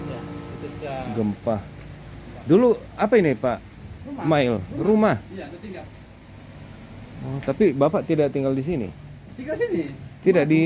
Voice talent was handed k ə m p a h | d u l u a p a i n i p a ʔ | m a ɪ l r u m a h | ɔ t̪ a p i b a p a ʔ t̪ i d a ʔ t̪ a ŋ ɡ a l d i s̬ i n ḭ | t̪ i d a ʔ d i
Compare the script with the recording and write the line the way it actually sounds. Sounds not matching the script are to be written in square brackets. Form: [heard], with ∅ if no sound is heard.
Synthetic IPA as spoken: [ɡ] ə m p a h | d u l u a p a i n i p a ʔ | m a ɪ l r u m a h | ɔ t̪ a p i b a p a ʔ t̪ i d a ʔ t̪ [i] ŋ ɡ a l d i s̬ i n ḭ | t̪ i d a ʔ d i